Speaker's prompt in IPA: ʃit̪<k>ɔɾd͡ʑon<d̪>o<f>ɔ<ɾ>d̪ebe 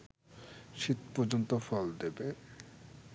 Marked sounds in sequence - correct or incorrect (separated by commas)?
incorrect, incorrect, correct, incorrect